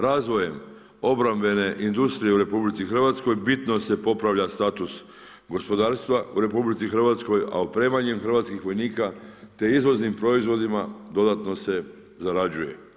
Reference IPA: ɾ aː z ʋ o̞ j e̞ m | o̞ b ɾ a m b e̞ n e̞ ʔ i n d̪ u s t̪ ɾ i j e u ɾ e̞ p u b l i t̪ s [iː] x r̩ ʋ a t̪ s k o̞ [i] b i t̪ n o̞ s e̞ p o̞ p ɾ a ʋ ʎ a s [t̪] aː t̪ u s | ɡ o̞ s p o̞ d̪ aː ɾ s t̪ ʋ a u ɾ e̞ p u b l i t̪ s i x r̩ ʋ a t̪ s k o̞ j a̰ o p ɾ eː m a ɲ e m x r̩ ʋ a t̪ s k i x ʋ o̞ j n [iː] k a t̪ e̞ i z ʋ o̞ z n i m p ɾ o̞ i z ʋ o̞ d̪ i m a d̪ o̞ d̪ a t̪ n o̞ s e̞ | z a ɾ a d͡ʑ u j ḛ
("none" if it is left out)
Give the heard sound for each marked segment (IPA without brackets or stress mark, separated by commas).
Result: i, j, t̪, iː